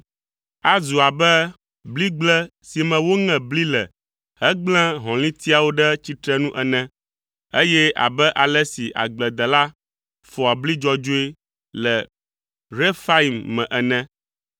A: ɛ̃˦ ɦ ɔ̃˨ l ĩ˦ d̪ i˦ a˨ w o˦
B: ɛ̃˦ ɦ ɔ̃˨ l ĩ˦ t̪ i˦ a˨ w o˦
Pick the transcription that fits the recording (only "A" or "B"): B